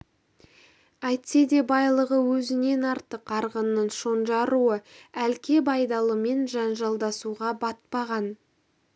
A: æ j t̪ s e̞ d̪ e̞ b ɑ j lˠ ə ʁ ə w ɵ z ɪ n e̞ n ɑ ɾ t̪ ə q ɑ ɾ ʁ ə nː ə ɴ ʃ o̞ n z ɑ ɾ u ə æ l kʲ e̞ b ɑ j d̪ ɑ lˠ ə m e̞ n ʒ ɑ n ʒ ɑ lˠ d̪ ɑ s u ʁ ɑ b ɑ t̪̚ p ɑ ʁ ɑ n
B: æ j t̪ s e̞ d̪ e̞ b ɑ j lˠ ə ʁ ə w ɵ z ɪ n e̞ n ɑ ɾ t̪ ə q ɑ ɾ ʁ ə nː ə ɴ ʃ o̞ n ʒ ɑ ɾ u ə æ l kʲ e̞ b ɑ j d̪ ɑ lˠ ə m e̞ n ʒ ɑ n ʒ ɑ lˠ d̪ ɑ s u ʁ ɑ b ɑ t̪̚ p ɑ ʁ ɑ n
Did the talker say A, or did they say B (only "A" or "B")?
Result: B